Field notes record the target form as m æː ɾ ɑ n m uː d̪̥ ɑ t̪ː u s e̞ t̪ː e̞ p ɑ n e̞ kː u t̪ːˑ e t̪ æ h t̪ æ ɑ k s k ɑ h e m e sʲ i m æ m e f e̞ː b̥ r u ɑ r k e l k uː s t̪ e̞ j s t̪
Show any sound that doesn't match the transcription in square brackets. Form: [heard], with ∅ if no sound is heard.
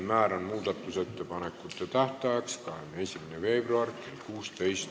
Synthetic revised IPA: m æː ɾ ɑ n m uː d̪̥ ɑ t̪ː u s e̞ t̪ː e̞ p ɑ n e̞ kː u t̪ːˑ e t̪ æ h t̪ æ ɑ k s k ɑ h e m e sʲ i m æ [n] e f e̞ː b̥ r u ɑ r k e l k uː s t̪ e̞ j s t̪